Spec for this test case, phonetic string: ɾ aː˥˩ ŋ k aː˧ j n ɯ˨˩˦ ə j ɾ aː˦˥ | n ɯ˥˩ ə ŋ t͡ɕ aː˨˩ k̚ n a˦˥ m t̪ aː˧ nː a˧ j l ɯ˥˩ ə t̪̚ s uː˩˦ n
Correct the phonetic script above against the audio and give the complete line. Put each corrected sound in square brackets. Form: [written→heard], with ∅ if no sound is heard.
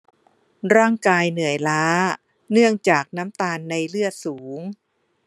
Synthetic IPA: ɾ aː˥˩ ŋ k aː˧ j n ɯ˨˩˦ ə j [ɾ→l] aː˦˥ | n ɯ˥˩ ə ŋ t͡ɕ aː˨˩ k̚ n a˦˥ m t̪ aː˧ nː a˧ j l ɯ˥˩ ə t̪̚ s uː˩˦ [n→ŋ]